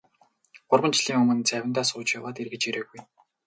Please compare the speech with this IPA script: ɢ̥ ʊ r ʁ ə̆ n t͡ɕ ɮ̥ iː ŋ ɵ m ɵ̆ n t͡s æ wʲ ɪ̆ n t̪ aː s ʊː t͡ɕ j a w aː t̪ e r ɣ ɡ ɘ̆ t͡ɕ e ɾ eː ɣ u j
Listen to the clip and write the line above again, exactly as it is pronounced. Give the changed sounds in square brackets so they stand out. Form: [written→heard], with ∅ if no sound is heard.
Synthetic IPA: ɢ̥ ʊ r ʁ ə̆ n t͡ɕ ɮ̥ iː ŋ ɵ m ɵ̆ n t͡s æ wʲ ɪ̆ n t̪ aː s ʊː t͡ɕ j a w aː t̪ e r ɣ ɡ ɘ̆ t͡ɕ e ɾ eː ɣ u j